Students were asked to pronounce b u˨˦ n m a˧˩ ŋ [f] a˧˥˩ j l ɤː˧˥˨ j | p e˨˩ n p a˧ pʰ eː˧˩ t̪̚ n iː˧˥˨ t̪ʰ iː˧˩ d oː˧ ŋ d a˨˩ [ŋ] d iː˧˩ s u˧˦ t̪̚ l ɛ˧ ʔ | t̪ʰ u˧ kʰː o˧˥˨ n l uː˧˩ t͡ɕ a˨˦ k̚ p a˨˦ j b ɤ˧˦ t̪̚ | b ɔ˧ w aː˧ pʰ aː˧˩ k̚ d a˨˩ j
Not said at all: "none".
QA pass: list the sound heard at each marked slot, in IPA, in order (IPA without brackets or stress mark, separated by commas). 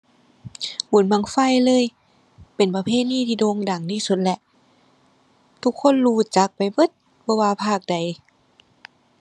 f, ŋ